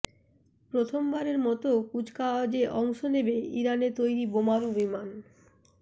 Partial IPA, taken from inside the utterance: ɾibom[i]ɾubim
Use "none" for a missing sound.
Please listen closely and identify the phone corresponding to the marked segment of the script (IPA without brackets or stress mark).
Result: a